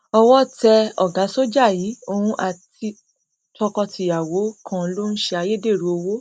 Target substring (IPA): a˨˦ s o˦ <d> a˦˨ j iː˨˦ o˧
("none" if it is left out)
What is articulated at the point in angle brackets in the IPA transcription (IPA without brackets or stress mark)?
d͡ʒ